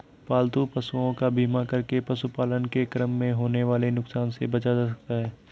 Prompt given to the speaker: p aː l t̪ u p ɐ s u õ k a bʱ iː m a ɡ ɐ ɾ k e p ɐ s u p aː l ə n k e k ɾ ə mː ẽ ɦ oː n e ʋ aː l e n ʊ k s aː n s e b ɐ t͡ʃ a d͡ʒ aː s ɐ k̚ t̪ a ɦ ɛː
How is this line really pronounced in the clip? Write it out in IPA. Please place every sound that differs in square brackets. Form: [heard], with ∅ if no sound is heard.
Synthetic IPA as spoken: p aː l t̪ u p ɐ s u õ k a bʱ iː m a [k] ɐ ɾ k e p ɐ s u p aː l ə n k e k ɾ ə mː ẽ ɦ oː n e ʋ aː l e n ʊ k s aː n s e b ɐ t͡ʃ a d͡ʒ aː s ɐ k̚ t̪ a ɦ ɛː